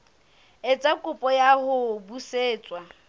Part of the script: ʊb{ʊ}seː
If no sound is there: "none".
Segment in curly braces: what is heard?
u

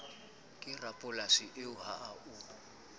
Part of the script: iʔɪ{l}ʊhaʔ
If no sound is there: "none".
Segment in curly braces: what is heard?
none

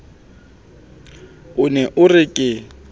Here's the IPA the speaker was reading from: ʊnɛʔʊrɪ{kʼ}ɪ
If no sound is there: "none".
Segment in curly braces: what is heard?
kʼ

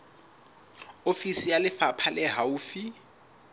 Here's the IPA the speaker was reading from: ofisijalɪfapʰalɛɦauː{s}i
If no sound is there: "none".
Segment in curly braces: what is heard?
f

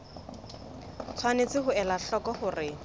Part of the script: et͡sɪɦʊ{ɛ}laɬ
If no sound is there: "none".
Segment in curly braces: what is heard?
ɛ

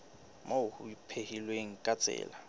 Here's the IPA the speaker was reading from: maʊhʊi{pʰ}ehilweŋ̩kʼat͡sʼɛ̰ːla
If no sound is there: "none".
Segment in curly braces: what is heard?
pʰ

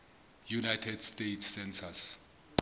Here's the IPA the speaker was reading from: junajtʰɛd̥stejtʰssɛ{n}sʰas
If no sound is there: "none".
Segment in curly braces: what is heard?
n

